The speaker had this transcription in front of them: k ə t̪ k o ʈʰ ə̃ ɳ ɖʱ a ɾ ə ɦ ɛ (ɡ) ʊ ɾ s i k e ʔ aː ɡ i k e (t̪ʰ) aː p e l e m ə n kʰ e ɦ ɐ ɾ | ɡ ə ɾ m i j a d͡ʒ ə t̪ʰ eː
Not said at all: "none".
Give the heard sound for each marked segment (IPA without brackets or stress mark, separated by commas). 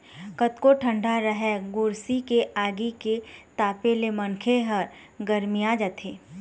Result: ɡ, t̪